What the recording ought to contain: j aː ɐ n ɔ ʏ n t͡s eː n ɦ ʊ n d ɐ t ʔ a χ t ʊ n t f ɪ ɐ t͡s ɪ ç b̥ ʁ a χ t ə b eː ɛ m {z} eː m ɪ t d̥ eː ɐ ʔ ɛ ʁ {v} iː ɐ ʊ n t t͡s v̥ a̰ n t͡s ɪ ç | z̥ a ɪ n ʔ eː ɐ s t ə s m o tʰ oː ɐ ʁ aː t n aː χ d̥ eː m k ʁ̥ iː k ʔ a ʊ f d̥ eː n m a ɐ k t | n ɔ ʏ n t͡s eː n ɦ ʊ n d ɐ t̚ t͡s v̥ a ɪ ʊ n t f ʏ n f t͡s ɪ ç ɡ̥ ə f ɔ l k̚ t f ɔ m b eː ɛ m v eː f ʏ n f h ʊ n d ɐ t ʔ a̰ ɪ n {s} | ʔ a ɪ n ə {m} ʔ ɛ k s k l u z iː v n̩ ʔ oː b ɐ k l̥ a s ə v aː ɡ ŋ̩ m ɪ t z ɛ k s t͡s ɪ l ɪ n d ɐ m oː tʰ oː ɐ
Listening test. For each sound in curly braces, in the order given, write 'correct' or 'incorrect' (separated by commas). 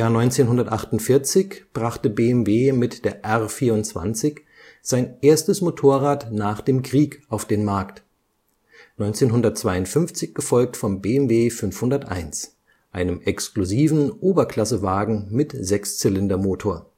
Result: incorrect, incorrect, correct, correct